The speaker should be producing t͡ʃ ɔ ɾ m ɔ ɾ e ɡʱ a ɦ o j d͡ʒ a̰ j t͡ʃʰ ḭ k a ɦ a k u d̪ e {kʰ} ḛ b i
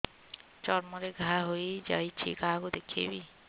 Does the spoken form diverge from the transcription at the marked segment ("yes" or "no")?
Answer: no